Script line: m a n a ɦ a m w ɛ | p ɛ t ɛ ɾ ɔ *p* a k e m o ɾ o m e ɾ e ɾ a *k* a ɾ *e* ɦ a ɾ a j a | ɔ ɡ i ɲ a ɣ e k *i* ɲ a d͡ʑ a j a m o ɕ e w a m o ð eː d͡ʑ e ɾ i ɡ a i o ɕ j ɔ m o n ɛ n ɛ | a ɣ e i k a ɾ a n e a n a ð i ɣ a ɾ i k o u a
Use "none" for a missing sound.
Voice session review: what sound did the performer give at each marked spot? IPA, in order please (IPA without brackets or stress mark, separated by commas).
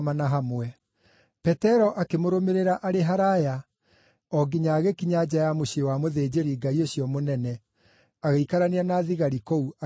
ʔ, ʔ, e, i